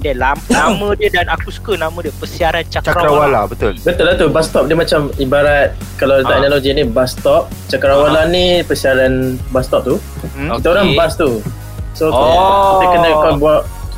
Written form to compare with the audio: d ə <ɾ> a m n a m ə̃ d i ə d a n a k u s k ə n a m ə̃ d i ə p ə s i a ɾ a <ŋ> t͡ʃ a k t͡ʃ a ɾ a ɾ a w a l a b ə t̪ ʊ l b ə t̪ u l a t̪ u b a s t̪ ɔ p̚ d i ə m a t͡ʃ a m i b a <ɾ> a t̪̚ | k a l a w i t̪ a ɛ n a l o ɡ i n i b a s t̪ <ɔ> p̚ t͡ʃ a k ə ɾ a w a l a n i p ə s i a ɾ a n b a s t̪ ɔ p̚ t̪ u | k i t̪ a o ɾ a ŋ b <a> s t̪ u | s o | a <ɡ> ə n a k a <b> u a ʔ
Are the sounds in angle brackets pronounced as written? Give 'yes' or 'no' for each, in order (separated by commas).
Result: no, no, yes, yes, yes, no, yes